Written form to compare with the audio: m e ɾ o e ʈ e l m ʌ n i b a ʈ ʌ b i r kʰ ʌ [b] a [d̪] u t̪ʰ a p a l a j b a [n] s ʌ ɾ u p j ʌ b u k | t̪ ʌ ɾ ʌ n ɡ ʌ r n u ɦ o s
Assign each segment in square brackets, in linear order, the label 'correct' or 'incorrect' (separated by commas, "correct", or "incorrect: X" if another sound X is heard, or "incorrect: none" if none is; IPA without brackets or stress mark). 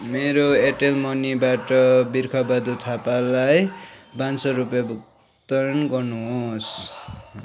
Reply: correct, correct, correct